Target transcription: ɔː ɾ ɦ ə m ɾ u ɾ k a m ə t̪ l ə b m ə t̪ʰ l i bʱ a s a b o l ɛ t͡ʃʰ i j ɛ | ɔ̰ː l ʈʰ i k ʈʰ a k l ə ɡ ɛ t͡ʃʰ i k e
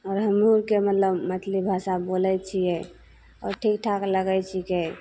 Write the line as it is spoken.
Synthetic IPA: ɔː ɾ ɦ ə m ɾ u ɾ k e m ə t̪ l ə b m ə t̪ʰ l i bʱ a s a b o l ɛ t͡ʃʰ i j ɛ | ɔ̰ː ɾ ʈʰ i k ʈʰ a k l ə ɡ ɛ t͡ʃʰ i k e